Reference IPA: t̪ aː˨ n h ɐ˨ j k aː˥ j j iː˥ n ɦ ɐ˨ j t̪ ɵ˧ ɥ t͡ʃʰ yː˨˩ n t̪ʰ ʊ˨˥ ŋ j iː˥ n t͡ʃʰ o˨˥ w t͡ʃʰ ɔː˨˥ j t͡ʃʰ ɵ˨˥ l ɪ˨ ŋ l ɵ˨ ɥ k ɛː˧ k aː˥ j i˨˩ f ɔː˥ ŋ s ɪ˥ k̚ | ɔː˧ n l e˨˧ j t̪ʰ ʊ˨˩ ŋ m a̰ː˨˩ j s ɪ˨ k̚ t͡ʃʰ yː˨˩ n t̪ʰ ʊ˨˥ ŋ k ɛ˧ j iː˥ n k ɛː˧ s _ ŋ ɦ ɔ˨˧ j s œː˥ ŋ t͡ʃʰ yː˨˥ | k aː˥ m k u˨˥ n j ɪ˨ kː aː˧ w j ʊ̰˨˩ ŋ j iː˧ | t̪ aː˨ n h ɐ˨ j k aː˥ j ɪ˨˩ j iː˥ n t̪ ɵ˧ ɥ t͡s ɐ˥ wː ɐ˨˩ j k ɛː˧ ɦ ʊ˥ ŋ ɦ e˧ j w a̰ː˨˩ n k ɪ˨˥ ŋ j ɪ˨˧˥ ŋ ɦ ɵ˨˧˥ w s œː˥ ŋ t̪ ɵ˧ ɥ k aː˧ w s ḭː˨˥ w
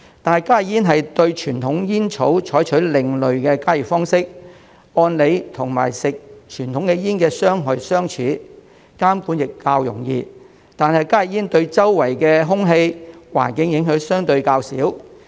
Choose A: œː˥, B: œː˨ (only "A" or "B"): A